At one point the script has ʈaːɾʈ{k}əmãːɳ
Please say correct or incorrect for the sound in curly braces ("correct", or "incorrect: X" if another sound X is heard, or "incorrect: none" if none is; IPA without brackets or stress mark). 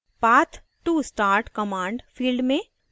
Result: correct